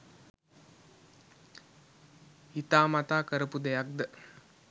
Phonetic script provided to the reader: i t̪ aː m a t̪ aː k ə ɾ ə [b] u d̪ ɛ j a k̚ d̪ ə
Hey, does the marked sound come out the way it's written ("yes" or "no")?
no